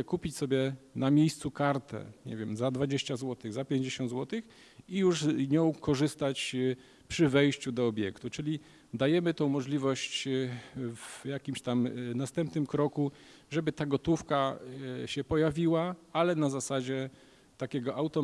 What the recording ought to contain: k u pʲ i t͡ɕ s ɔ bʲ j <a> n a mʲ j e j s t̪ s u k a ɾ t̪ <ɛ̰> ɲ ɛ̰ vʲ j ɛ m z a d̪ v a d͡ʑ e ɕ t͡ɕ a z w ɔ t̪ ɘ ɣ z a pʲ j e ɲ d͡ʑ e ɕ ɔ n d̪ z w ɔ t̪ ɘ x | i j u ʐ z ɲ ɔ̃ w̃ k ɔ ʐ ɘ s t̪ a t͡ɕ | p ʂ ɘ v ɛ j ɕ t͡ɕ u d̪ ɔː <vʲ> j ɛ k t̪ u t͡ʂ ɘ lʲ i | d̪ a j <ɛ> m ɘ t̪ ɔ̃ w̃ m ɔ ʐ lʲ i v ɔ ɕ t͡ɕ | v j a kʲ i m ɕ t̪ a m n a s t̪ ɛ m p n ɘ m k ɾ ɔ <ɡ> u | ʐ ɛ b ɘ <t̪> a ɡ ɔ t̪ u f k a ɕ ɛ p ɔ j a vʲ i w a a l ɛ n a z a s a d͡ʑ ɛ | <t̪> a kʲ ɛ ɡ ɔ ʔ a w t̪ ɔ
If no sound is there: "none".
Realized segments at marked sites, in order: ɛ, ɛ̰, bʲ, ɛ, k, t̪, t̪

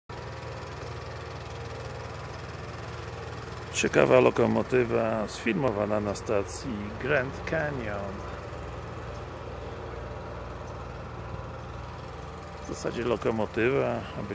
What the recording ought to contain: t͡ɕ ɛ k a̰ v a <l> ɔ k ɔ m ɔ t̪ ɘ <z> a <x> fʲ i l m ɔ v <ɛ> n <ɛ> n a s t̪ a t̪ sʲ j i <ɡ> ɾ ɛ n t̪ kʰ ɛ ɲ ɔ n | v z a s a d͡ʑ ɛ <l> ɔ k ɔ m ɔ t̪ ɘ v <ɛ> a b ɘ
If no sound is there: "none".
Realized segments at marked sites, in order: l, v, s, a, a, ɡ, l, a

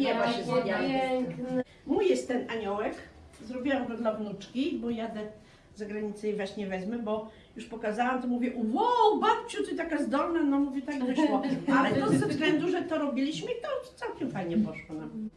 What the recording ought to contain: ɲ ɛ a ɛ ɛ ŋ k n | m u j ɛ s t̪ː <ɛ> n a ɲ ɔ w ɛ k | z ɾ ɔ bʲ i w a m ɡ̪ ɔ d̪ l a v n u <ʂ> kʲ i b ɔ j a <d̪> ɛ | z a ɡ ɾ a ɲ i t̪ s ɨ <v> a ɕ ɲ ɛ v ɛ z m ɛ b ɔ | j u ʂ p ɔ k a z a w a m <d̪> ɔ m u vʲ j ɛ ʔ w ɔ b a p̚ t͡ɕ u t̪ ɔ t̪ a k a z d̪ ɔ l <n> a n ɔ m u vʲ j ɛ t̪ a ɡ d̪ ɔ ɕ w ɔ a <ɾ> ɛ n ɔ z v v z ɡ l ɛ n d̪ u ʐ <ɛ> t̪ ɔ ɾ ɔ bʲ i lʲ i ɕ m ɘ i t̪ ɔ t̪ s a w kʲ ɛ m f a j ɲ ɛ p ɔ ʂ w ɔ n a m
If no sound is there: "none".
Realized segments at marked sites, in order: ɛ, t͡ʂ, d̪, v, t̪, n, l, ɛ

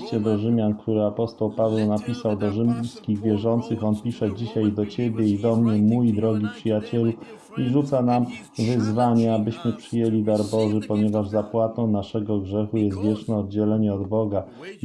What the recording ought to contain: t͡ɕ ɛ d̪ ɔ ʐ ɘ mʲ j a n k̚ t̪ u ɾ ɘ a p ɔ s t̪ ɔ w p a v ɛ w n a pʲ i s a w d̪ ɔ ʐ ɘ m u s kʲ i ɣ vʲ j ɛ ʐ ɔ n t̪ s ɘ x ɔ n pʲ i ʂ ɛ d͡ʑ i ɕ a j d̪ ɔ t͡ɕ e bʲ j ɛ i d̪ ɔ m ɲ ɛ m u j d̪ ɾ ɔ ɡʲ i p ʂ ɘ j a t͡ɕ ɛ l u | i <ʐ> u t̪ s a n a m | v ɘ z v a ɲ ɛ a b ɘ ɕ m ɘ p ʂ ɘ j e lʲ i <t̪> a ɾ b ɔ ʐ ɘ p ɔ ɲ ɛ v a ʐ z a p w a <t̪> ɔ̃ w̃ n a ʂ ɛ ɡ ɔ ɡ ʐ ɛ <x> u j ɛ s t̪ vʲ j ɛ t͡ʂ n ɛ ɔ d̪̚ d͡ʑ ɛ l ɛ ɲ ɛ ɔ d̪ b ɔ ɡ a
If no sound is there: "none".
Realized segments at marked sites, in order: ʐ, d̪, t̪, x

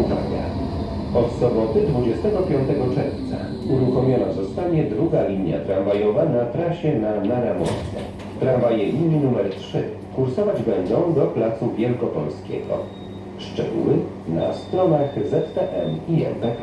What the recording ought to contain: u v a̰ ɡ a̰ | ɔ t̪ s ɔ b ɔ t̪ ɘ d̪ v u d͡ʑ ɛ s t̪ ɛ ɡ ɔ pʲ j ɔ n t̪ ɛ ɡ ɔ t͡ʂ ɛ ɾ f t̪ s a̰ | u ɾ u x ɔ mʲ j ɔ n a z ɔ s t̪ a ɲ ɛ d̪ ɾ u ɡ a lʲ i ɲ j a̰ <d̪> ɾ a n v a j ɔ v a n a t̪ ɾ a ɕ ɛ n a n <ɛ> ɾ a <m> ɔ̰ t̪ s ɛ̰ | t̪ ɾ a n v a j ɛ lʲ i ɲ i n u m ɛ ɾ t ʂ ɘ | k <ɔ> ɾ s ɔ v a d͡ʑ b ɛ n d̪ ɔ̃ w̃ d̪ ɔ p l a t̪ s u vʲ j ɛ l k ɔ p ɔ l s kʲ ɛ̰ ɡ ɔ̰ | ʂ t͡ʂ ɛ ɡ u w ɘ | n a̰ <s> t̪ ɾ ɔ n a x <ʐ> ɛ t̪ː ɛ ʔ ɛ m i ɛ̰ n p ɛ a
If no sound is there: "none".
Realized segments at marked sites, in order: t̪, a, m, u, s, z

